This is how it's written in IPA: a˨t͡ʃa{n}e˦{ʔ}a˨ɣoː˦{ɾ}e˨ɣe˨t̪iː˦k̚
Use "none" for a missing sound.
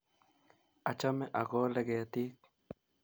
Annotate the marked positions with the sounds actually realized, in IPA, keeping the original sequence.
m, ʔ, l

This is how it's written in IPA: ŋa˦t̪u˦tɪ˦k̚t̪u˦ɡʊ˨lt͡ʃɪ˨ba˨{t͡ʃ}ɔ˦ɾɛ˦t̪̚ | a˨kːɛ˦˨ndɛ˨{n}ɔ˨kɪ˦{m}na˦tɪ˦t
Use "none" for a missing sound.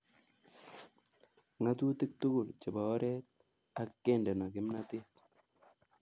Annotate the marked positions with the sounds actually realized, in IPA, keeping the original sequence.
none, n, m

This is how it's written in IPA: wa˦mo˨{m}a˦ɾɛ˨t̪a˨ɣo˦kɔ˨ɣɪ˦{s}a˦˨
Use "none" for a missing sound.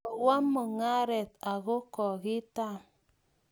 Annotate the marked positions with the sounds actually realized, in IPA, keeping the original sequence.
ŋ, t

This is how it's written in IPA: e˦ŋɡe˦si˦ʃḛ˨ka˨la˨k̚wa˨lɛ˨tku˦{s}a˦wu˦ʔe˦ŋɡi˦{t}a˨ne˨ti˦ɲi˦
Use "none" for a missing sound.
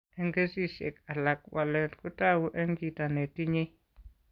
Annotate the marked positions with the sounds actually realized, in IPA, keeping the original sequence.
t, t

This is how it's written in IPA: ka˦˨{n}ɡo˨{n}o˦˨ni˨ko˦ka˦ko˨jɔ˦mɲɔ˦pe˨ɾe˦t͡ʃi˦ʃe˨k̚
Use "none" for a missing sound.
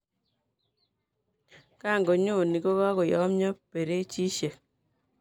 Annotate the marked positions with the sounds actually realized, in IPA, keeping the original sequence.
ŋ, ɲ

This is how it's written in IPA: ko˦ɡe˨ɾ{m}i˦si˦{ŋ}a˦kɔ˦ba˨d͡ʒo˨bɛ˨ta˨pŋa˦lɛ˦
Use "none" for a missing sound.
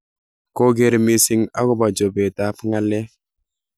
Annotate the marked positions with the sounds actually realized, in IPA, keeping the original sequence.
m, ŋ

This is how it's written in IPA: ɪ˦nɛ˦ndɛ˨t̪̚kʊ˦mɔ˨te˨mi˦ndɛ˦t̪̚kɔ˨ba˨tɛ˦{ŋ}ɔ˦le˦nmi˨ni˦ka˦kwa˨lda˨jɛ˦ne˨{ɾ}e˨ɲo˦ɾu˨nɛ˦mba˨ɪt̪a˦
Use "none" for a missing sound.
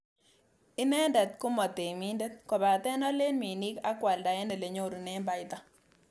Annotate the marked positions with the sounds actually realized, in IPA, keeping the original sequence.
n, l

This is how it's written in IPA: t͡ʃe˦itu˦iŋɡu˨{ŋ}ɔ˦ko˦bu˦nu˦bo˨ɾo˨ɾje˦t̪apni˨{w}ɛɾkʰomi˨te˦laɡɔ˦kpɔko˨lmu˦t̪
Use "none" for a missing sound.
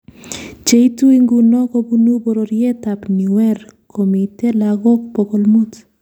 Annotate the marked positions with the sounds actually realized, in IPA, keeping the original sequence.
n, w

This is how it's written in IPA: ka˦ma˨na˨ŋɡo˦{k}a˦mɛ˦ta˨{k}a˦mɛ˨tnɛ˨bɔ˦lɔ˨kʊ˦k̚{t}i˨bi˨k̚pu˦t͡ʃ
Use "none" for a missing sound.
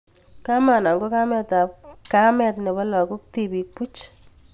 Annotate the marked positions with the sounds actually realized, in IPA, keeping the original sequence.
k, k, t

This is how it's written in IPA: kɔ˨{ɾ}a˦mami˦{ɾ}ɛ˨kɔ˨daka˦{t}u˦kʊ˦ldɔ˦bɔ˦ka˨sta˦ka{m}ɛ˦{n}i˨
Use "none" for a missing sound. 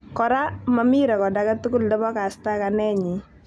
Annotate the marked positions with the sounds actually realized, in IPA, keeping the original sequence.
ɾ, ɾ, t, n, ɲ

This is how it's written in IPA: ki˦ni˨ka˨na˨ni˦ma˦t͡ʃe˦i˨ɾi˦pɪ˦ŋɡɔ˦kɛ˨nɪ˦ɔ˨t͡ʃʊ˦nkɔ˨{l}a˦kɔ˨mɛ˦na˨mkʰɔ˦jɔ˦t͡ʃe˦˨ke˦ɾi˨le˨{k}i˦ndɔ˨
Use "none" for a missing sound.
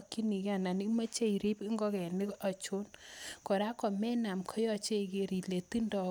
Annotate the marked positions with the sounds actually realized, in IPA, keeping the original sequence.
ɾ, t

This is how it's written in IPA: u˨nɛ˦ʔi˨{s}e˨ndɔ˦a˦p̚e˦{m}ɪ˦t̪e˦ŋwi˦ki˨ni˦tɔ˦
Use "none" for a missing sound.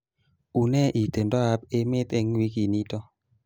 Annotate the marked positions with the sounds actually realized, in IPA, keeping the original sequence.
t, m

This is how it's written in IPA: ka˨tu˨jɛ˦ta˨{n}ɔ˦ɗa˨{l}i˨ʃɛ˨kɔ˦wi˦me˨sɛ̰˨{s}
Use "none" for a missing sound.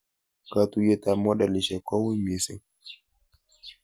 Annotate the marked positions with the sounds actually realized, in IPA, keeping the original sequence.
m, l, none

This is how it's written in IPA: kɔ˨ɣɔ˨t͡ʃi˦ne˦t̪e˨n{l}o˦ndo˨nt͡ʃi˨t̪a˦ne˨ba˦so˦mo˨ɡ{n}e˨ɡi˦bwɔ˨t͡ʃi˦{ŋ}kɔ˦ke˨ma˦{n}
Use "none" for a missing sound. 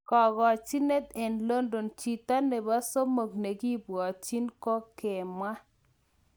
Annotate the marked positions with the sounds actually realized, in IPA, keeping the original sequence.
l, n, n, none

